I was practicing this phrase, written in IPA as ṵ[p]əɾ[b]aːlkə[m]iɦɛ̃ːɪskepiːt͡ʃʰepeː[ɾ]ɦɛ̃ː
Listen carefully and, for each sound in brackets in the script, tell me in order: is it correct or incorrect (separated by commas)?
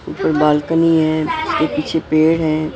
correct, correct, incorrect, incorrect